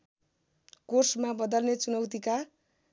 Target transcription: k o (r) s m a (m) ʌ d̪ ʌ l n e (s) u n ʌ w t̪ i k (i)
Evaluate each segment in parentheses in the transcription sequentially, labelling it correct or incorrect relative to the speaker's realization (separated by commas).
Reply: correct, incorrect, incorrect, incorrect